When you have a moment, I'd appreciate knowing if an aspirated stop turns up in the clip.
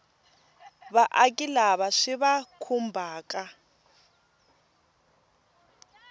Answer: yes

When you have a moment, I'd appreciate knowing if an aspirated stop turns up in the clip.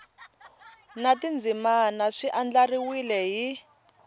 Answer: no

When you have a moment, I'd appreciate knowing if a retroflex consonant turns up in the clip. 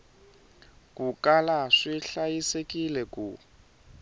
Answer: yes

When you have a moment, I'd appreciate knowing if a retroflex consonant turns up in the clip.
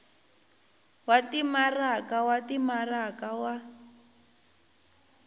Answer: no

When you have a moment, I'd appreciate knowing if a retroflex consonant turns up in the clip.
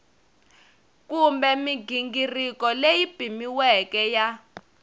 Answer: no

